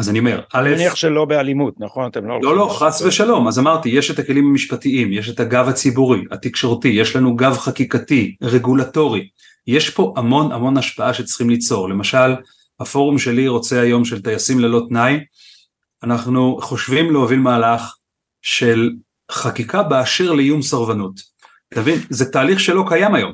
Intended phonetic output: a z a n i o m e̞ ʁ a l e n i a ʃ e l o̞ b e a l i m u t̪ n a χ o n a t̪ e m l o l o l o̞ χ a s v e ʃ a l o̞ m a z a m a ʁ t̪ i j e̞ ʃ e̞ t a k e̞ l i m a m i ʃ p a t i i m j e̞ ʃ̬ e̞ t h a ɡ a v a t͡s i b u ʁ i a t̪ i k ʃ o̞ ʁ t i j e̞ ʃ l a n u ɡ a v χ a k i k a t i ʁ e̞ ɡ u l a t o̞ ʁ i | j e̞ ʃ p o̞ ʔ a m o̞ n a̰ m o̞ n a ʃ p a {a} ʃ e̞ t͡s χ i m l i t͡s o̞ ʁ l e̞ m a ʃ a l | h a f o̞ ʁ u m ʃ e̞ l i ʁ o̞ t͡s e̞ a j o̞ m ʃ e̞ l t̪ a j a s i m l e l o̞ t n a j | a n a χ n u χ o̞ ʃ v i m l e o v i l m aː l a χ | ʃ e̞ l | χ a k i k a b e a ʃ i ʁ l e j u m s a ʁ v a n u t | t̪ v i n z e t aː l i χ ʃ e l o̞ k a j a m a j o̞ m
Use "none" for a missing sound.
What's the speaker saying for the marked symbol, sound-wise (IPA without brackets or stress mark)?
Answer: a